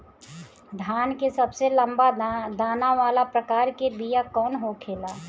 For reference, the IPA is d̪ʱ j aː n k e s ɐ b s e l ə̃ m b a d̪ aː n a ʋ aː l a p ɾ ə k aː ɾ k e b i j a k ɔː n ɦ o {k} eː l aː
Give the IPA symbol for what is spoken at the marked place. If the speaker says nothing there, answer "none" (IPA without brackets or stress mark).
kʰ